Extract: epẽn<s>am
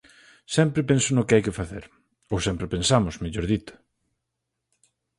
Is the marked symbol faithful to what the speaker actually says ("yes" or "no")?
yes